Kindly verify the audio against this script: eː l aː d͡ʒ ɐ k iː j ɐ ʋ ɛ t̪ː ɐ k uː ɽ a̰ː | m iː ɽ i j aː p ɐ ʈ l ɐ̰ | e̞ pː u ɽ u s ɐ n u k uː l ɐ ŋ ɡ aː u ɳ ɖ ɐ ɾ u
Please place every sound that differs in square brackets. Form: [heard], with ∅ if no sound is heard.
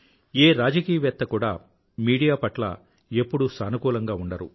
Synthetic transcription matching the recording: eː [ɾ] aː d͡ʒ ɐ k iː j ɐ ʋ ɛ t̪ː ɐ k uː ɽ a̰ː | m iː ɽ i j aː p ɐ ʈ l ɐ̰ | e̞ pː u ɽ u s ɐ n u k uː l ɐ ŋ ɡ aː u ɳ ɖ ɐ ɾ u